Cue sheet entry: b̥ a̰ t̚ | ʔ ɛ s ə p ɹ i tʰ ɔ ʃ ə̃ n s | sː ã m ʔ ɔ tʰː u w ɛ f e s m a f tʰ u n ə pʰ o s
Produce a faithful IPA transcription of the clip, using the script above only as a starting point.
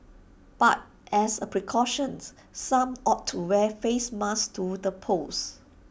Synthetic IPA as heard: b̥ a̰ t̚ | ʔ ɛ s ə p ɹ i kʰ ɔ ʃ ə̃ n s | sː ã m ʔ ɔ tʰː u w ɛ f e s m a s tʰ u d ə pʰ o s